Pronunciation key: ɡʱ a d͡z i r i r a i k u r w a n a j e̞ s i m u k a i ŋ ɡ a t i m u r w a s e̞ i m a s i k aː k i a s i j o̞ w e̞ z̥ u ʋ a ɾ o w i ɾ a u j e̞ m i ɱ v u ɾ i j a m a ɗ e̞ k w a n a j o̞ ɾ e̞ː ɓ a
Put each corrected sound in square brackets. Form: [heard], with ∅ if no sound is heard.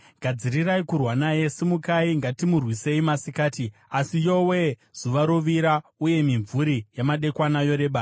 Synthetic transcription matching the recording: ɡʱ a d͡z i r i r a i k u r w a n a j e̞ s i m u k a i ŋ ɡ a t i m u r w [i] s e̞ i m a s i k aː [t] i a s i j o̞ w e̞ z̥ u ʋ a ɾ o [ʋ] i ɾ a u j e̞ m i ɱ v u ɾ i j a m a ɗ e̞ k w a n a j o̞ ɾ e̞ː ɓ a